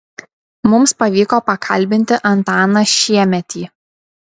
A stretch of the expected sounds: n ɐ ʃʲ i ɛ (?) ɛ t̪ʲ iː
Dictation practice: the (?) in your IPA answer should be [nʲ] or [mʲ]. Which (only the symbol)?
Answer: mʲ